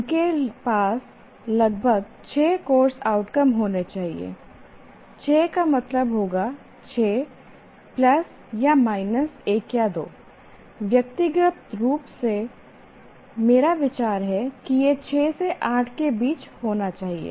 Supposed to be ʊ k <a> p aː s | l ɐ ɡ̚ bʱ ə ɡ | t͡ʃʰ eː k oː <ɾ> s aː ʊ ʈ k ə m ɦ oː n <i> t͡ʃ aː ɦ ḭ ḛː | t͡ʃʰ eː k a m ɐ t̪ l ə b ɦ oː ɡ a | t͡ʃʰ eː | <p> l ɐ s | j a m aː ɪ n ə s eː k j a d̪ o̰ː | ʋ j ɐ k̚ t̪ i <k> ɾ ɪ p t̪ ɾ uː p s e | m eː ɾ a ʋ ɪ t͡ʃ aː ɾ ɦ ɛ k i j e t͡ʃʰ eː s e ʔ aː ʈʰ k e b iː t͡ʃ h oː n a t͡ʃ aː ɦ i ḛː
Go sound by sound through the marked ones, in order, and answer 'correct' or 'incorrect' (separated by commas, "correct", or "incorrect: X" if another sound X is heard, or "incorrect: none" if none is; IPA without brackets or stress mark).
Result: incorrect: e, correct, incorrect: e, correct, incorrect: ɡ